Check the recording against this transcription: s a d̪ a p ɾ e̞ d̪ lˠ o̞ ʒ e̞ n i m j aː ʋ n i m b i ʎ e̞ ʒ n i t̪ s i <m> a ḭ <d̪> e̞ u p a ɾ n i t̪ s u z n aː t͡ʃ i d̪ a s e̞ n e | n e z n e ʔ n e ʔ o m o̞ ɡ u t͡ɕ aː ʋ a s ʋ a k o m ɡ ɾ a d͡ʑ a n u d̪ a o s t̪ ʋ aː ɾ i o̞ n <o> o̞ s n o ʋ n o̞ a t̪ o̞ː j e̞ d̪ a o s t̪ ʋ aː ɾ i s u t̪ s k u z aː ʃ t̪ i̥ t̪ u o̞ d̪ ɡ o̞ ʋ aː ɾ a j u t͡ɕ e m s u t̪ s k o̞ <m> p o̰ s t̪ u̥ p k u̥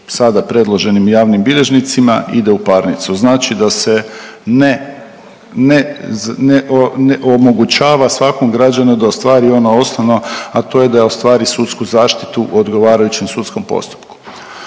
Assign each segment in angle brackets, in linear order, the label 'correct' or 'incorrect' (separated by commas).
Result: correct, correct, correct, correct